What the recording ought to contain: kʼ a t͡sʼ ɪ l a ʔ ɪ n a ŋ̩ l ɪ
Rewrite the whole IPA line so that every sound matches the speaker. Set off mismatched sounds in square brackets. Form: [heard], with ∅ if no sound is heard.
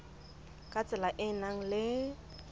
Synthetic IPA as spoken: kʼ a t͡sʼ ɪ l a ʔ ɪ n a ŋ̩ l ɪ